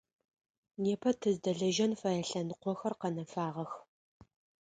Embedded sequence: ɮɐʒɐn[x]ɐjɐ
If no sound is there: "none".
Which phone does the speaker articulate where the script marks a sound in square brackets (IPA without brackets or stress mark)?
f